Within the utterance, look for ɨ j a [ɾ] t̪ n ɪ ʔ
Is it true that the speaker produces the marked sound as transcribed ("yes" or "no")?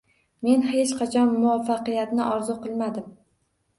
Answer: no